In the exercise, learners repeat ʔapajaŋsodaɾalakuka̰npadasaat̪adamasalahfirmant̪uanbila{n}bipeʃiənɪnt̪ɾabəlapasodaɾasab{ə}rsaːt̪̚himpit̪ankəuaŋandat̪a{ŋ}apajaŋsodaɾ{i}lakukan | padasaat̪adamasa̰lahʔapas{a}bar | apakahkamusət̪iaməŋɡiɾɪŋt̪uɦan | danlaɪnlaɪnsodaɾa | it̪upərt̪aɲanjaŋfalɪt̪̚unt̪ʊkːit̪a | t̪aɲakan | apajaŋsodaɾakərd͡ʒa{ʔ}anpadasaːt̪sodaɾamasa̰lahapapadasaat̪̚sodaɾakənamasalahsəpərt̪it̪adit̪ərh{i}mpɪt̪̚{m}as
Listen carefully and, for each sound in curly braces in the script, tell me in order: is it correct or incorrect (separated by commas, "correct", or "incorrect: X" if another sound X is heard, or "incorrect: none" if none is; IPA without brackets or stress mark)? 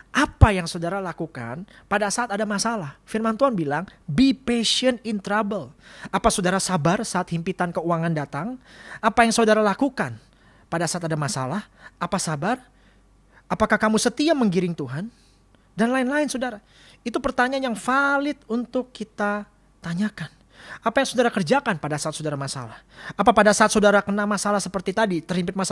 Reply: incorrect: ŋ, incorrect: a, correct, incorrect: a, correct, incorrect: k, correct, correct